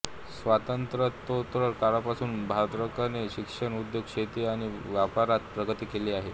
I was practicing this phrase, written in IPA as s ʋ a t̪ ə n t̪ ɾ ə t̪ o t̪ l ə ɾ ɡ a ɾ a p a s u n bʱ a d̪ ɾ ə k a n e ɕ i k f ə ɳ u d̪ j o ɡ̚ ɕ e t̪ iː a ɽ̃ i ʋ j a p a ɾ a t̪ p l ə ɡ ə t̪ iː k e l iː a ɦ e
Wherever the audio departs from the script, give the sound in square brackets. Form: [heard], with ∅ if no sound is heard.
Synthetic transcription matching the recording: s ʋ a t̪ ə n t̪ ɾ ə t̪ o t̪ [ɾ] ə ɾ [k] a ɾ a p a s [uː] n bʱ a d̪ ɾ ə k a n e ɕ i k [ʂ] ə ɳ u d̪ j o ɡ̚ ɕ e t̪ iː a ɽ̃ i ʋ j a p a ɾ a t̪ p [ɾ] ə ɡ ə t̪ iː k e l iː a ɦ e